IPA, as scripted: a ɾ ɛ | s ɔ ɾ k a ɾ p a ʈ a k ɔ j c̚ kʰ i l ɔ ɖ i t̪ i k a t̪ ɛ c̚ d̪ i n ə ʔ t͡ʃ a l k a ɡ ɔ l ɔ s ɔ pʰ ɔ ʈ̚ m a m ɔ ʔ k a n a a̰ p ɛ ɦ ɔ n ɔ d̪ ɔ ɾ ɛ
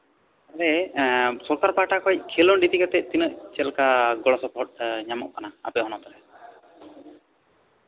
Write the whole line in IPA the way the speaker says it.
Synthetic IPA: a ɾ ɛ | s ɔ ɾ k a ɾ p a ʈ a k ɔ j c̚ kʰ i l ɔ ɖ i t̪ i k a t̪ ɛ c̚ t̪ i n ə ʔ t͡ʃ ɛ l k a ɡ ɔ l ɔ s ɔ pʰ ɔ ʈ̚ ɲ a m ɔ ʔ k a n a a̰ p ɛ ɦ ɔ n ɔ t̪ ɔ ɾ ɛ

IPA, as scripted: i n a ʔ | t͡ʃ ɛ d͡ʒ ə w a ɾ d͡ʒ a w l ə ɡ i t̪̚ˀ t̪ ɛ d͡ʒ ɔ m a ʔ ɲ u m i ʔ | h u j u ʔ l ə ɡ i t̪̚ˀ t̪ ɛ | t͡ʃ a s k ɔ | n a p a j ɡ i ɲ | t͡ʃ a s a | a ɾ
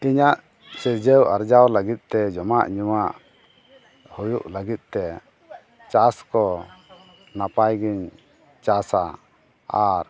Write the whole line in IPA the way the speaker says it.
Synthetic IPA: i ɲ a ʔ | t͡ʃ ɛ d͡ʒ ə w a ɾ d͡ʒ a w l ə ɡ i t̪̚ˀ t̪ ɛ d͡ʒ ɔ m a ʔ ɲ u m a ʔ | h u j u ʔ l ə ɡ i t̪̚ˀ t̪ ɛ | t͡ʃ a s k ɔ | n a p a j ɡ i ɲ | t͡ʃ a s a | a ɾ

